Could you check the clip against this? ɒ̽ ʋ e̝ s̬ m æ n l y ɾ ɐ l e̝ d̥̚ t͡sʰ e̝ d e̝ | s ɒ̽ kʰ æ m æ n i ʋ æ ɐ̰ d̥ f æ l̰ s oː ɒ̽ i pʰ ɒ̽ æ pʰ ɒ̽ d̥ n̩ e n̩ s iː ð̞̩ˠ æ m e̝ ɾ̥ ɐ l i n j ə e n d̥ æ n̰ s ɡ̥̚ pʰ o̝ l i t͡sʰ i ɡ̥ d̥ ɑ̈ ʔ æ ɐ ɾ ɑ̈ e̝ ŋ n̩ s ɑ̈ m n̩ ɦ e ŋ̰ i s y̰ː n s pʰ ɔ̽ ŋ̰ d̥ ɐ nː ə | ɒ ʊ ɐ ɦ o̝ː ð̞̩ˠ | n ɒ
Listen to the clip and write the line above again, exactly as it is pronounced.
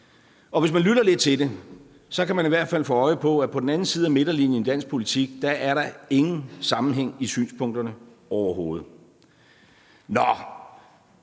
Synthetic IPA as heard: ɒ̽ ʋ e̝ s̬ m æ n l y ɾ ɐ l e̝ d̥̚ t͡sʰ e̝ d e̝ | s ɒ̽ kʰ æ m æ n i ʋ æ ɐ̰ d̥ f æ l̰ f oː ɒ̽ ɪ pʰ ɒ̽ æ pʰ ɒ̽ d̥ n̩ æ n̩ s iː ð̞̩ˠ æ m e̝ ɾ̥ ɐ l i n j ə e n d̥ æ n̰ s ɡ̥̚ pʰ o̝ l i t͡sʰ i ɡ̥ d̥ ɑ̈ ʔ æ ɐ ɾ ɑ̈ e̝ ŋ n̩ s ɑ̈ m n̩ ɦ e ŋ̰ i s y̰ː n s pʰ ɔ̽ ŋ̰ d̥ ɐ n ə | ɒ ʊ ɐ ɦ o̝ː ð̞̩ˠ | n ɒ